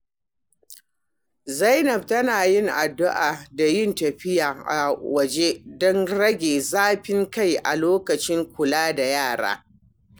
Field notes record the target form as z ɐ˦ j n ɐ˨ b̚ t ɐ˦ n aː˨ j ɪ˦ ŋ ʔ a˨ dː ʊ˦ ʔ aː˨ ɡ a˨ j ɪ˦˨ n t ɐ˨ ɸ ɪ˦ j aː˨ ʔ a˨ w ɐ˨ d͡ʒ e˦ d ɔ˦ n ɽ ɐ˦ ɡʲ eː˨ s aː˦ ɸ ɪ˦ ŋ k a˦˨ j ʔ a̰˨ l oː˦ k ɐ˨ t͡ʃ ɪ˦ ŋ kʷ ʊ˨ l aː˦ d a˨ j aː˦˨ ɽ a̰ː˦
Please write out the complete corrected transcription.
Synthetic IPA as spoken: z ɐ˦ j n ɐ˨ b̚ t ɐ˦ n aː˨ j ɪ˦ ŋ ʔ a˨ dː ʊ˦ ʔ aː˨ d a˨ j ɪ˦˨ n t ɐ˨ ɸ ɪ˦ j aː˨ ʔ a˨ w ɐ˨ d͡ʒ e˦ d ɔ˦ n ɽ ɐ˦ ɡʲ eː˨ z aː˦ ɸ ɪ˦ ŋ k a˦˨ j ʔ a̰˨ l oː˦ k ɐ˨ t͡ʃ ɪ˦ ŋ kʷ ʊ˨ l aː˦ d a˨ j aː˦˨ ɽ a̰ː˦

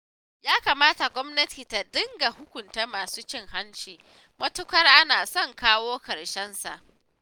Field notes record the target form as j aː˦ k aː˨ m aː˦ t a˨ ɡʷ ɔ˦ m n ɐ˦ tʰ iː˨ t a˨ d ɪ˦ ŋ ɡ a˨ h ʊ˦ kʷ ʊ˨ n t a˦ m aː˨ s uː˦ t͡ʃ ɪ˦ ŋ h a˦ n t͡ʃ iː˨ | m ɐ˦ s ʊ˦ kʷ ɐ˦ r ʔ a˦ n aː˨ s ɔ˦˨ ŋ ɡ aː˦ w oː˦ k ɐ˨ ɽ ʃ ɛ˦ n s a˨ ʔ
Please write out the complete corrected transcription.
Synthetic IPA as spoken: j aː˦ k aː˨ m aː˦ t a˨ ɡʷ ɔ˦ m n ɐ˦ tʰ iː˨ t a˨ d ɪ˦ ŋ ɡ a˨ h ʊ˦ kʷ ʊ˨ n t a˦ m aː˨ s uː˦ t͡ʃ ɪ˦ ŋ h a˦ n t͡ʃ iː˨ | m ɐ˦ t ʊ˦ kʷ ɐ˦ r ʔ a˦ n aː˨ s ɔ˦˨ ŋ k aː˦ w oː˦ k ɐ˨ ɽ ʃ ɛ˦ n s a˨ ʔ

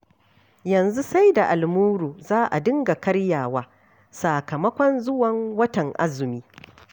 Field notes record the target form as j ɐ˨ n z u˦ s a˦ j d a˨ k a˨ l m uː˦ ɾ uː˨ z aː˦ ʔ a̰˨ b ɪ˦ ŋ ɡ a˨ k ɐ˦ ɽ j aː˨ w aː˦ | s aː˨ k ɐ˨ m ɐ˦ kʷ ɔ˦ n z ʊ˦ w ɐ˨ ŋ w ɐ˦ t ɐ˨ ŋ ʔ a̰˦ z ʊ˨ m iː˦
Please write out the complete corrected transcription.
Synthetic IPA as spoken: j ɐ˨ n z u˦ s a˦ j d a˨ ʔ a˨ l m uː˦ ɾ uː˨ z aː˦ ʔ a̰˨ d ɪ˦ ŋ ɡ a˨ k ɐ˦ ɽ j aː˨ w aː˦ | s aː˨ k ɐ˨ m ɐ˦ kʷ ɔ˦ n z ʊ˦ w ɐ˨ ŋ w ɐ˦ t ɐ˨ ŋ ʔ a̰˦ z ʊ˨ m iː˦

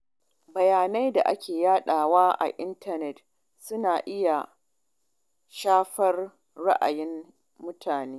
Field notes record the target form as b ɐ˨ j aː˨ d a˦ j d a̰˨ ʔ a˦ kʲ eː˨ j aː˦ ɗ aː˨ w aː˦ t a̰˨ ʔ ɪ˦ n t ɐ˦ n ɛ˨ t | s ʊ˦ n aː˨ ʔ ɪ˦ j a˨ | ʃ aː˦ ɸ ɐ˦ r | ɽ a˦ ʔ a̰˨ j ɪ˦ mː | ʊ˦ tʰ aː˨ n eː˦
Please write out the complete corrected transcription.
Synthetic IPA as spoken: b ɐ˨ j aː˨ n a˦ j d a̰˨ ʔ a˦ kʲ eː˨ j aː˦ ɗ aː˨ w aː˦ ʔ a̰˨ ʔ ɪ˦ n t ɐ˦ n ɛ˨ t | s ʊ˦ n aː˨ ʔ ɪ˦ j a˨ | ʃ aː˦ ɸ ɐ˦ r | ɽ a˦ ʔ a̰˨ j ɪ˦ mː | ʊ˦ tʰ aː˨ n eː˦

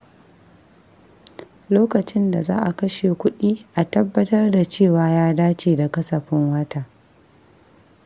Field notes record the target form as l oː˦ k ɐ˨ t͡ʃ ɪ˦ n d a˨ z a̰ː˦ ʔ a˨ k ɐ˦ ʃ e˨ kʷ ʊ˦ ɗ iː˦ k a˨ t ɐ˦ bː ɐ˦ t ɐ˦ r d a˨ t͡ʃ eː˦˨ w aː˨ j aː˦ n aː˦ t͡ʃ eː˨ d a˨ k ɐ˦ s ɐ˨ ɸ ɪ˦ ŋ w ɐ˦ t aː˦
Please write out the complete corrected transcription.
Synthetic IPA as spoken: l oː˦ k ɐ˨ t͡ʃ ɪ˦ n d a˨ z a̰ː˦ ʔ a˨ k ɐ˦ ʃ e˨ kʷ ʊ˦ ɗ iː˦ ʔ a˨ t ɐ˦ bː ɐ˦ t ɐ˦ r d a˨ t͡ʃ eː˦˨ w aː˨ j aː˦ d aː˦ t͡ʃ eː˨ d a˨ k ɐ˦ s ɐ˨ ɸ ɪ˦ ŋ w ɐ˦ t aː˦

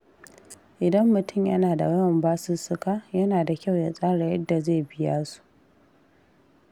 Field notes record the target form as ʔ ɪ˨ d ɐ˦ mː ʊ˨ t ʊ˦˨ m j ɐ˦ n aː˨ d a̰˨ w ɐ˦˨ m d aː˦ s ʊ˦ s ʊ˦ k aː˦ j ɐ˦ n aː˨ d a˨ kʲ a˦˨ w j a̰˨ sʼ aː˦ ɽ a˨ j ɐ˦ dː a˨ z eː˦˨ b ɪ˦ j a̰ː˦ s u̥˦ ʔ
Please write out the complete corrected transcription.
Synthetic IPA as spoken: ʔ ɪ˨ d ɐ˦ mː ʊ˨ t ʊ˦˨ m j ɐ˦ n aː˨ d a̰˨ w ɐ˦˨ m b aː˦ s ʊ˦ s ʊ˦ k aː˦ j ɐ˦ n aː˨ d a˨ kʲ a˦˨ w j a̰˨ sʼ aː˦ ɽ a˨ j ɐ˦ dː a˨ z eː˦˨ b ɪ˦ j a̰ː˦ s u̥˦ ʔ

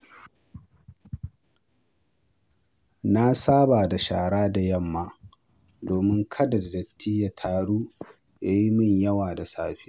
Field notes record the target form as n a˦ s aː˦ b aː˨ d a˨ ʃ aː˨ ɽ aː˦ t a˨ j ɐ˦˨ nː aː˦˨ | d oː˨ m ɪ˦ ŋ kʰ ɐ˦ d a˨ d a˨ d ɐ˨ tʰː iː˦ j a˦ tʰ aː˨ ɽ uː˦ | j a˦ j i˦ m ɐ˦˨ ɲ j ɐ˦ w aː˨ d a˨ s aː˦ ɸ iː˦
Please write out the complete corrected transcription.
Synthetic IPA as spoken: n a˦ s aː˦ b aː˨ d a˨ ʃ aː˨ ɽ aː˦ d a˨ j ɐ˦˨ mː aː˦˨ | d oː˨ m ɪ˦ ŋ kʰ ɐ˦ d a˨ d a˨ d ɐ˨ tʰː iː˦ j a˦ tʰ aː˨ ɽ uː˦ | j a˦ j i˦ m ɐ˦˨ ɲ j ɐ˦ w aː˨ d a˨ s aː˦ ɸ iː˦

